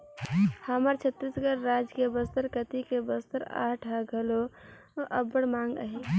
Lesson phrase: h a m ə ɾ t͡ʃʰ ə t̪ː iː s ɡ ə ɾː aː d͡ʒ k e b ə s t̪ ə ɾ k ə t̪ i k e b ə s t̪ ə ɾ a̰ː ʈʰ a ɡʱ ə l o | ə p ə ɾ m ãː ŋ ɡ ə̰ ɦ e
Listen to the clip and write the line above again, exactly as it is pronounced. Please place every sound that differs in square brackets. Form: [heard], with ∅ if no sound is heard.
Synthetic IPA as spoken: h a m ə ɾ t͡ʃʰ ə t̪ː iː s ɡ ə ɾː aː d͡ʒ k e b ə s t̪ ə ɾ k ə t̪ i k e b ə s t̪ ə ɾ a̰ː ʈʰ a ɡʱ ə l o | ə [b] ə [ɽ] m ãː ŋ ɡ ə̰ ɦ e